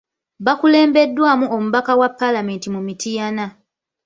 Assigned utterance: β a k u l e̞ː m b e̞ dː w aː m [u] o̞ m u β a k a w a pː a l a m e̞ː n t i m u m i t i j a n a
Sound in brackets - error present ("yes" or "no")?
no